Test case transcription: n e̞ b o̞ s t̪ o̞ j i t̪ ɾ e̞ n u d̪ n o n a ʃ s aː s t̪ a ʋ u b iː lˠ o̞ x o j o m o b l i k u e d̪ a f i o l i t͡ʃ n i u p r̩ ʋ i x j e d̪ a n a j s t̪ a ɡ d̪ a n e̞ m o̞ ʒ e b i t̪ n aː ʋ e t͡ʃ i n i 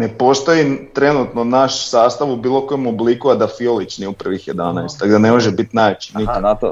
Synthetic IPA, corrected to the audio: n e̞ p o̞ s t̪ o̞ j i t̪ ɾ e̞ n u t̪ n o n a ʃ s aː s t̪ a ʋ u b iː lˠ o̞ k o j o m o b l i k u a d̪ a f i o l i t͡ʃ n i u p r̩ ʋ i x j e d̪ a n a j s t̪ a ɡ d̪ a n e̞ m o̞ ʒ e b i t̪ n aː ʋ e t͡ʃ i n i